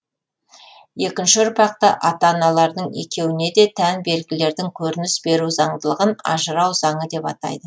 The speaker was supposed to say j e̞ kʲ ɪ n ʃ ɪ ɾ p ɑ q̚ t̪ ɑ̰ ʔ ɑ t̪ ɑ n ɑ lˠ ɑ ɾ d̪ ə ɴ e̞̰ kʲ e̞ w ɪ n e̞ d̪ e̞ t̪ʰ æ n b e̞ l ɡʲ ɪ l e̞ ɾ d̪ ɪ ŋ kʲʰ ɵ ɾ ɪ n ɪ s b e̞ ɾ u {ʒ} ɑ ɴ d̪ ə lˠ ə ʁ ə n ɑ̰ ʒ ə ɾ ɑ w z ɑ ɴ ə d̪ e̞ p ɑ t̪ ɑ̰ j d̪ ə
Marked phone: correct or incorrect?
incorrect